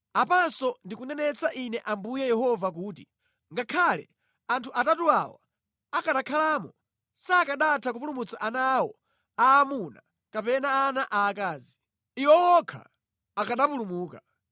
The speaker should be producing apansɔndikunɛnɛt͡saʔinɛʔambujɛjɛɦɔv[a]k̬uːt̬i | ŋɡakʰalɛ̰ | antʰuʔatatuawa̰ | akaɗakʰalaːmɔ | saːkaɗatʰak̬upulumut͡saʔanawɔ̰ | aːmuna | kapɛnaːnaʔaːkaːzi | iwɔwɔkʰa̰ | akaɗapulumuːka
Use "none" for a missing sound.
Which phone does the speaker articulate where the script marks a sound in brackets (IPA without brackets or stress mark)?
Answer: a